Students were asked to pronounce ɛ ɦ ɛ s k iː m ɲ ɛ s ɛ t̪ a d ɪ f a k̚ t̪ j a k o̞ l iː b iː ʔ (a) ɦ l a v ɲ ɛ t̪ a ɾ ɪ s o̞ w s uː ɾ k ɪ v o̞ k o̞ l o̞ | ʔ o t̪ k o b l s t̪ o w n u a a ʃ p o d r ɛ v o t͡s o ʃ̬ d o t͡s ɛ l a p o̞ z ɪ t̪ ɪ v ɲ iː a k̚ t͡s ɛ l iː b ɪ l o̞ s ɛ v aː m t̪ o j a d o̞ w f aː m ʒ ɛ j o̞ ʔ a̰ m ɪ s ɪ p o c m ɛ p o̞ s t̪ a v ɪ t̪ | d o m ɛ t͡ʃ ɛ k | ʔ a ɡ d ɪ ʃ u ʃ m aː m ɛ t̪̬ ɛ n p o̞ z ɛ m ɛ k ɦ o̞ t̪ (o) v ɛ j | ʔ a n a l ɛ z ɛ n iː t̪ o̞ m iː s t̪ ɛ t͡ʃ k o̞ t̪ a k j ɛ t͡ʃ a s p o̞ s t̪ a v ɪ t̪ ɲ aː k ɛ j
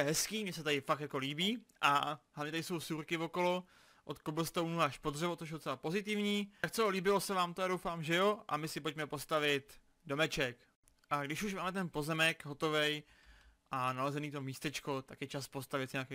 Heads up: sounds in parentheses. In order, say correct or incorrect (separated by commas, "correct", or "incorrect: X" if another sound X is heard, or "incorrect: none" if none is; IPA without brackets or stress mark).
correct, correct